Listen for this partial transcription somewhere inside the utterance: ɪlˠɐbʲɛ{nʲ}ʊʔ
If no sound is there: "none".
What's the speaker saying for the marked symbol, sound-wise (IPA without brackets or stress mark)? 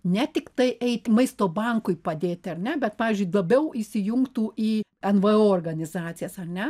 none